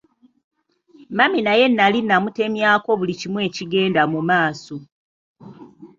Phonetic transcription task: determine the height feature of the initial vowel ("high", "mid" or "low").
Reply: low